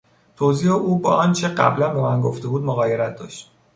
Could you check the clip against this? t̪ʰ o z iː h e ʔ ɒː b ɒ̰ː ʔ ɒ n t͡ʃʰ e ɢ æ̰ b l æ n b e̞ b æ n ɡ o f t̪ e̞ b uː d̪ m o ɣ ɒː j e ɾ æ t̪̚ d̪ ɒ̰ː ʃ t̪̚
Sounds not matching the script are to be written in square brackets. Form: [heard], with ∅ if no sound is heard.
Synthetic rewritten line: t̪ʰ o z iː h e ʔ [uː] b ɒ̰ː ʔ ɒ n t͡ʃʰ e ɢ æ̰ b l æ n b e̞ [m] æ n ɡ o f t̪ e̞ b uː d̪ m o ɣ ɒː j e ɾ æ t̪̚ d̪ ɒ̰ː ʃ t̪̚

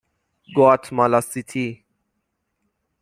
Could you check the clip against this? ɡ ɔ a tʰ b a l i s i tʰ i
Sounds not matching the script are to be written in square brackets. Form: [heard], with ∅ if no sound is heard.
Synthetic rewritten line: ɡ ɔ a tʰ [m] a l [a] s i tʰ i

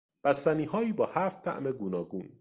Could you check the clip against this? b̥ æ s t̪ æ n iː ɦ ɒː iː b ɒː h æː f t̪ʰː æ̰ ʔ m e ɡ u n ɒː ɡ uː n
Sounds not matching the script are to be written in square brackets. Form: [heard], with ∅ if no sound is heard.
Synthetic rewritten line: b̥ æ s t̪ æ n iː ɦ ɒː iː b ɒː h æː f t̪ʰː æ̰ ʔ m e ɡ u n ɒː ɡ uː n

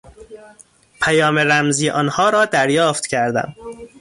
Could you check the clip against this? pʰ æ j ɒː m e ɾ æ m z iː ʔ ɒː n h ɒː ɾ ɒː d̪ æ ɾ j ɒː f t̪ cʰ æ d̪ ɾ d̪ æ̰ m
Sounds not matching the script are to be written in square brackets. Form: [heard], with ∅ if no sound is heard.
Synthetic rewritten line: pʰ æ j ɒː m e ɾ æ m z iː ʔ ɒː n h ɒː ɾ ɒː d̪ æ ɾ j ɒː f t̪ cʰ æ [∅] ɾ d̪ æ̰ m

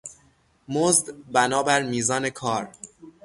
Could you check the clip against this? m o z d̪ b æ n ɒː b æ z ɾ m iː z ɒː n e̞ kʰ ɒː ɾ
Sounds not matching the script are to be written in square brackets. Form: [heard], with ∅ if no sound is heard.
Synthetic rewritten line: m o z d̪ b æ n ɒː b æ [∅] ɾ m iː z ɒː n e̞ kʰ ɒː ɾ

